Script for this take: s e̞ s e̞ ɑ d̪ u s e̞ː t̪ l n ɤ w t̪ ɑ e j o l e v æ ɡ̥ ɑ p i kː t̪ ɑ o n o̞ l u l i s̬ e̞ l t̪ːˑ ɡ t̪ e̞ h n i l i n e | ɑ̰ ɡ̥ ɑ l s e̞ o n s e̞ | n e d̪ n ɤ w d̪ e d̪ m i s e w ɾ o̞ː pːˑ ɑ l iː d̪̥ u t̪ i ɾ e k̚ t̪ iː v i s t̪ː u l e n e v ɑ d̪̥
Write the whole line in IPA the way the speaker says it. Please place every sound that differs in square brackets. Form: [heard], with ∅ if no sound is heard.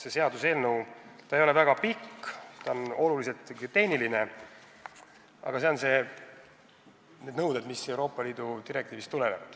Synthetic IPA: s e̞ s e̞ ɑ d̪ u s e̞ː [∅] l n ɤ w t̪ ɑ e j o l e v æ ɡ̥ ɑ p i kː t̪ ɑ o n o̞ l u l i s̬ e̞ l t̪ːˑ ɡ t̪ e̞ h n i l i n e | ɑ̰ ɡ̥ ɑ [∅] s e̞ o n s e̞ | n e d̪ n ɤ w d̪ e d̪ m i s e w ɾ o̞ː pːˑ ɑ l iː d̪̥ u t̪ i ɾ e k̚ t̪ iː v i s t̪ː u l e n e v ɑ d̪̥